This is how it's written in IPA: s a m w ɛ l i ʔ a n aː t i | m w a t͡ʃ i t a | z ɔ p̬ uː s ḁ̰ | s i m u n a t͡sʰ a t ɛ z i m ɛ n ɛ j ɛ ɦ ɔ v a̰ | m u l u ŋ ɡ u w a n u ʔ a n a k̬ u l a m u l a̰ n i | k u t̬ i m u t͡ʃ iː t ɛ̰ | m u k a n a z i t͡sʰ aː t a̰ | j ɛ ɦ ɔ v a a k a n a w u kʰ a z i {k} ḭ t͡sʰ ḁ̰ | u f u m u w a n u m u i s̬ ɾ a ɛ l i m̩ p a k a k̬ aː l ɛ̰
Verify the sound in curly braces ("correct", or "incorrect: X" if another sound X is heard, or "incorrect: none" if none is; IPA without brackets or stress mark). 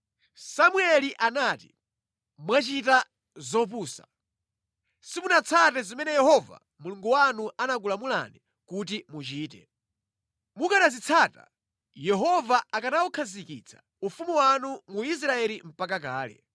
correct